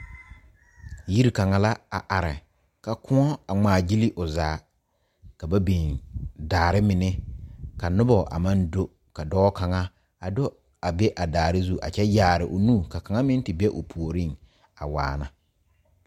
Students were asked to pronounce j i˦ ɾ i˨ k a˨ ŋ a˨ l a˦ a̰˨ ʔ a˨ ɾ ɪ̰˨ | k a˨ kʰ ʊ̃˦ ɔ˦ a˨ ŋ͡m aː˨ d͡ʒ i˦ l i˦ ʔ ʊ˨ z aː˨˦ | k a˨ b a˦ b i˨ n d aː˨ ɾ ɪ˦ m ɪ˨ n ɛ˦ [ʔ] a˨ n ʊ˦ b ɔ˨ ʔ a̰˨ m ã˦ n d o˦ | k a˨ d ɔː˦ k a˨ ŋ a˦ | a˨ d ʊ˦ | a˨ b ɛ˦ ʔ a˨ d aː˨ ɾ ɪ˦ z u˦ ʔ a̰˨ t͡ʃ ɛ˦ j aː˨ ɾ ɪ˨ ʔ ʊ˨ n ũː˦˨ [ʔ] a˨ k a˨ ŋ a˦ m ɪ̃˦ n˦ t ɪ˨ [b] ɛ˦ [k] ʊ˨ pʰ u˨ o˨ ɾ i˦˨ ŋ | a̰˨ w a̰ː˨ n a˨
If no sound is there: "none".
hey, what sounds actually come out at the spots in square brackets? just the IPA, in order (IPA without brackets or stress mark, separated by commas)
k, k, b, ʔ